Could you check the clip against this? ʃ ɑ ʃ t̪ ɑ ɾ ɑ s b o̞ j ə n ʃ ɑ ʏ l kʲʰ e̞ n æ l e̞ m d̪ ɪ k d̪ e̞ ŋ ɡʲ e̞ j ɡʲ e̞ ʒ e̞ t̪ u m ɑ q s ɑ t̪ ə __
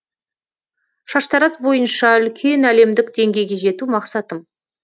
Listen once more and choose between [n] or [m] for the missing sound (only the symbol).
m